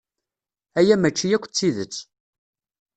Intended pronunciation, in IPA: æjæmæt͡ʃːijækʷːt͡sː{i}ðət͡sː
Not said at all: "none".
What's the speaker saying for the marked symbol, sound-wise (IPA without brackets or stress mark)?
i